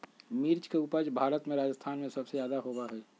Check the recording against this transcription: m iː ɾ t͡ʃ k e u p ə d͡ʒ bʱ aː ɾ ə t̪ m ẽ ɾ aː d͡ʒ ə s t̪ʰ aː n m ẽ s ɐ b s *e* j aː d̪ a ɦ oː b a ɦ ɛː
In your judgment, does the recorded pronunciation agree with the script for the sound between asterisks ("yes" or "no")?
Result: yes